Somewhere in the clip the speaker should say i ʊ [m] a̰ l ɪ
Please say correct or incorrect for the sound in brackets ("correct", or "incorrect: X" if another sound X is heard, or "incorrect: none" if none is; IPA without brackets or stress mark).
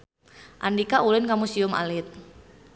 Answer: correct